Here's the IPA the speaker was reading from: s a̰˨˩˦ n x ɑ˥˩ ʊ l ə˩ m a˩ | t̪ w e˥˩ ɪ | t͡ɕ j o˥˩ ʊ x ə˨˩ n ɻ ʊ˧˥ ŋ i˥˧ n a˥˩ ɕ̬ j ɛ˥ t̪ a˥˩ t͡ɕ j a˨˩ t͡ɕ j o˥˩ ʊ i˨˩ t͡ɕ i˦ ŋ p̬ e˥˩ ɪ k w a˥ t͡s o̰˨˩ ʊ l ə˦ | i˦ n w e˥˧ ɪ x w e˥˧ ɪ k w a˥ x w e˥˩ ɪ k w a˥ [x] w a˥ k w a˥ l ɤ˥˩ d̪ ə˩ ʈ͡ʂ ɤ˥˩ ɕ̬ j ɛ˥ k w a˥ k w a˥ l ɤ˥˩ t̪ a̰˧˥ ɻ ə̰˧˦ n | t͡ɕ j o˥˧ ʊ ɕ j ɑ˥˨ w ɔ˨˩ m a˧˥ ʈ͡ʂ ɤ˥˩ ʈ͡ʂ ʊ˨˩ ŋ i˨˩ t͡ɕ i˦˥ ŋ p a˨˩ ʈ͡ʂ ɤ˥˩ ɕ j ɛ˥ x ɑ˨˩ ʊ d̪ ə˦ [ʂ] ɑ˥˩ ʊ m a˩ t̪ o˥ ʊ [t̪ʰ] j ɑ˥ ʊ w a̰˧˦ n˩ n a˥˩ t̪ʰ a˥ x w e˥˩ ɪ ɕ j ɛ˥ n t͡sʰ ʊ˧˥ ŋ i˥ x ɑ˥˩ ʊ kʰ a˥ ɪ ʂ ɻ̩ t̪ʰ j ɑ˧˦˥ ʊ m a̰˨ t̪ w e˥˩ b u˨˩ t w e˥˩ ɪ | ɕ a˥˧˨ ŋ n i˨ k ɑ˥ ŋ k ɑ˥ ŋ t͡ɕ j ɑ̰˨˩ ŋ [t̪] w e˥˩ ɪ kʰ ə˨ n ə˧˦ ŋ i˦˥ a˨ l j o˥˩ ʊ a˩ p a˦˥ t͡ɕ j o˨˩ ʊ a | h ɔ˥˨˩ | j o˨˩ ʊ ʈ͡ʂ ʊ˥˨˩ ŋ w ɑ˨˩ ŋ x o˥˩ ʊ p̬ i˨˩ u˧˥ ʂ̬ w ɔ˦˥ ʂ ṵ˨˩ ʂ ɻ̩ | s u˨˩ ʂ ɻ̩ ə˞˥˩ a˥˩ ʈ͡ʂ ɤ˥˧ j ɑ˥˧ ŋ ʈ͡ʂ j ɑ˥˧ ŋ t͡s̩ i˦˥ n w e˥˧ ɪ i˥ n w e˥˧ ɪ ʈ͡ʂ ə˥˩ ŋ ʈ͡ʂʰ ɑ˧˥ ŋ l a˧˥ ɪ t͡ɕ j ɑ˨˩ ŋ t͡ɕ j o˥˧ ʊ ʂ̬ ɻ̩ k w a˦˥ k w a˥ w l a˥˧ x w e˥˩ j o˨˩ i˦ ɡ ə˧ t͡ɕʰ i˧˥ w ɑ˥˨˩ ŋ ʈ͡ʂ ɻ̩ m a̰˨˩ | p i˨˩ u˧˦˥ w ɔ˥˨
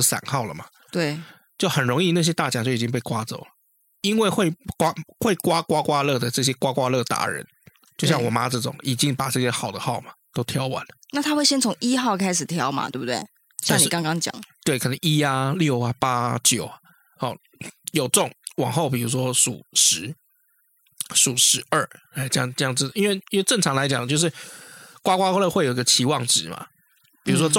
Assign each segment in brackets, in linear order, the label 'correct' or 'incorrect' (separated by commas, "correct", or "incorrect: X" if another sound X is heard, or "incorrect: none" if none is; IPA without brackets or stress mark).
incorrect: k, incorrect: x, correct, correct